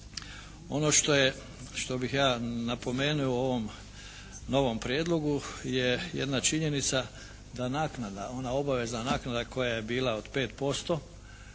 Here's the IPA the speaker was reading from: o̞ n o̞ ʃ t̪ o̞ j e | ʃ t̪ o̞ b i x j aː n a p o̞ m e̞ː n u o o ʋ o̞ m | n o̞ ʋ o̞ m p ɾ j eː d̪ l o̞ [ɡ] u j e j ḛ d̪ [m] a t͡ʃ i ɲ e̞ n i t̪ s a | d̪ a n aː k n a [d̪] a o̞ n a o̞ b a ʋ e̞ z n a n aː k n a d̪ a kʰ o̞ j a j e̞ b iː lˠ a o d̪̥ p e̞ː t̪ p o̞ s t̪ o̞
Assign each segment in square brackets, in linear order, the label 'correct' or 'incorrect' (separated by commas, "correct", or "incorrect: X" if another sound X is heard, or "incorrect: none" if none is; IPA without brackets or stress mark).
correct, incorrect: n, correct